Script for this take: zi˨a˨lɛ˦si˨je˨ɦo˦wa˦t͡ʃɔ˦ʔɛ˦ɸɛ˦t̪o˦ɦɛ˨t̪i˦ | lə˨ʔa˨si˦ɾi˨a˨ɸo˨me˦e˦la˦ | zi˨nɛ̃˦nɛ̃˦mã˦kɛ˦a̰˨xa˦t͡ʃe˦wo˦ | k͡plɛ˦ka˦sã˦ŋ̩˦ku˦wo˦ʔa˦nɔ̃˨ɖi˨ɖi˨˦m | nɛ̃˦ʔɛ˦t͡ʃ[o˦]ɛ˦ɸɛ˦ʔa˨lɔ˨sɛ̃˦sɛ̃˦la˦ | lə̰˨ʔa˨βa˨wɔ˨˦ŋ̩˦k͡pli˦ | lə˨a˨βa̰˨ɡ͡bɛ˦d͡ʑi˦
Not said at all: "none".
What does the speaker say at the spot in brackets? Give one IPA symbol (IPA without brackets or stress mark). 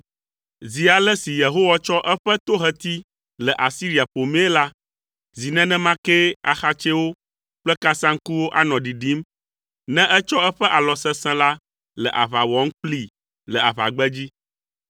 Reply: ɔ˦